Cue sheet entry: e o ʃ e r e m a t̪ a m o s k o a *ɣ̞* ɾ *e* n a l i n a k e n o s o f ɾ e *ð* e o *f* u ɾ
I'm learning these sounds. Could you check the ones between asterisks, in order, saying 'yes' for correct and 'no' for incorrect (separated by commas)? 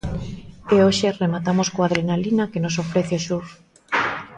no, yes, no, no